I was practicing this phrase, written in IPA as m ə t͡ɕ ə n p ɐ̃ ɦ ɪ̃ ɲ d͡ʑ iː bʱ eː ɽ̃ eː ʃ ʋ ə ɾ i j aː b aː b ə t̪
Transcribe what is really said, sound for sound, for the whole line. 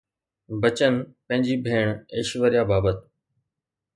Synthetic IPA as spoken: b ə t͡ɕ ə n p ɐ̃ ɦ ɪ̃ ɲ d͡ʑ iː bʱ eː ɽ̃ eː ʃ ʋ ə ɾ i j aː b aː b ə t̪